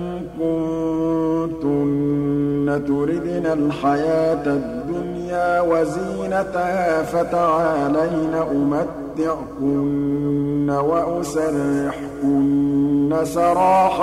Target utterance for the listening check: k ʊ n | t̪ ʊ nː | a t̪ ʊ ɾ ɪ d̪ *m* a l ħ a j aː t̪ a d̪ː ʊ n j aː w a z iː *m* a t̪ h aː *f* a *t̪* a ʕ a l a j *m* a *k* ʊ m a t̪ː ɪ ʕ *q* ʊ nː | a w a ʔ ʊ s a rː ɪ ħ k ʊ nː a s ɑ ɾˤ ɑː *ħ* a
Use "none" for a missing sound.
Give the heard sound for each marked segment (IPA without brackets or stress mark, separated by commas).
n, n, f, t̪, n, ʔ, k, ħ